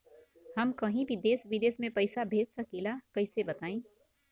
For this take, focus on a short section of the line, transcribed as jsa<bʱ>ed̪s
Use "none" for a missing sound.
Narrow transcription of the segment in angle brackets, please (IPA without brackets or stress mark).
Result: bʱ